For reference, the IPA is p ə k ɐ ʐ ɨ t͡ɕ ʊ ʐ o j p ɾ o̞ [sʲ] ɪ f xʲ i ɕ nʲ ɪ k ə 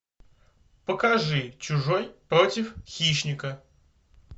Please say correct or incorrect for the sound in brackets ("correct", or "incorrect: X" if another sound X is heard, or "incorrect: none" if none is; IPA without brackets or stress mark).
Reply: incorrect: tʲ